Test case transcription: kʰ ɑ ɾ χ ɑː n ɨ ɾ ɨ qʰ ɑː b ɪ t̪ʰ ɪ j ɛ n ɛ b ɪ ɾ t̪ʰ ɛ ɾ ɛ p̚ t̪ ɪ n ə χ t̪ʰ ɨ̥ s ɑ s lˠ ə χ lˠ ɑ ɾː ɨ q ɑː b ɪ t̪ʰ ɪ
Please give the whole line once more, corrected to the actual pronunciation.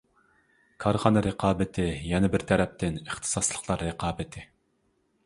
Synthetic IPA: kʰ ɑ ɾ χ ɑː n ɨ ɾ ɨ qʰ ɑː b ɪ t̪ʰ ɪ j ɛ n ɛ b ɪ ɾ t̪ʰ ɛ ɾ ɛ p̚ t̪ ɪ n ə χ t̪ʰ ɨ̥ s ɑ s lˠ ə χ lˠ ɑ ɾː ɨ q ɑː b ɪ t̪ʰ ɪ